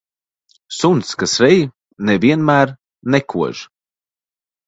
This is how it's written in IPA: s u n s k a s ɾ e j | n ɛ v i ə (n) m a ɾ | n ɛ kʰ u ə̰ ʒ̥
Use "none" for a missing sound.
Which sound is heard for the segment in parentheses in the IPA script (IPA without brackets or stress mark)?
n